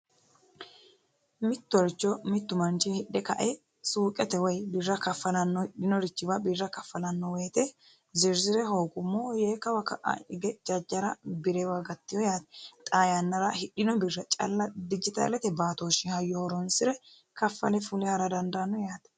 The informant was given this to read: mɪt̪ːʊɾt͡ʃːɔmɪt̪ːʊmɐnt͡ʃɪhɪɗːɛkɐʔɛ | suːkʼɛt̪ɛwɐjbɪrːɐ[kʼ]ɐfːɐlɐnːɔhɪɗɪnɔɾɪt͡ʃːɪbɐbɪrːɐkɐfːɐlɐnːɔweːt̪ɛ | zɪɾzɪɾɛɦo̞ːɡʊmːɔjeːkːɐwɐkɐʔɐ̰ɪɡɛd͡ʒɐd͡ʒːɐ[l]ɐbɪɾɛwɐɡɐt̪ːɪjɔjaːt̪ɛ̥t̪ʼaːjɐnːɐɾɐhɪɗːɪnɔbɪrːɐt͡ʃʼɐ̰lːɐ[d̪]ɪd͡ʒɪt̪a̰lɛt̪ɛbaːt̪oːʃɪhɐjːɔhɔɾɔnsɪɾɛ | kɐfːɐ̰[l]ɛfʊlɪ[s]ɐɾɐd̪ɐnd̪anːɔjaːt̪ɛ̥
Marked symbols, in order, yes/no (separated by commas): no, no, yes, yes, no